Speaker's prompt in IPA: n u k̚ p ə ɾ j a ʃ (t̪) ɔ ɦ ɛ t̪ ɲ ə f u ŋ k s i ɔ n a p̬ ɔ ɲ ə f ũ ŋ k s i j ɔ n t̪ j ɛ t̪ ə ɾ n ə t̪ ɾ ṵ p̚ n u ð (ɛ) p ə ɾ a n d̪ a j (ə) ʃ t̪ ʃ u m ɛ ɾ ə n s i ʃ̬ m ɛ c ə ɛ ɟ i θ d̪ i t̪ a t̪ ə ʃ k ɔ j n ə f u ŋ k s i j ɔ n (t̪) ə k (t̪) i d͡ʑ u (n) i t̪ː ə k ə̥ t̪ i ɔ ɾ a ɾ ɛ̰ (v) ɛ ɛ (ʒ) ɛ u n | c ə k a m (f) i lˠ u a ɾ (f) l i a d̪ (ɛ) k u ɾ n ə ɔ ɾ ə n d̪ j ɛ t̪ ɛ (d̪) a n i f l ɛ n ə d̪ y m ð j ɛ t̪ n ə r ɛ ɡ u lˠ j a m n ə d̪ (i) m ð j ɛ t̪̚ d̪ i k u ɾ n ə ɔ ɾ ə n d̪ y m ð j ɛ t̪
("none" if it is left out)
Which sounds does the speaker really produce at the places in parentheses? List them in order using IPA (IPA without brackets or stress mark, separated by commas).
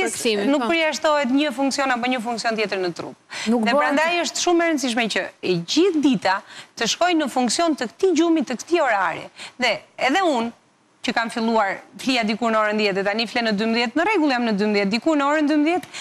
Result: t̪, ɛ, ə, t̪, t̪, m, ð, ð, f, f, i, t̪, y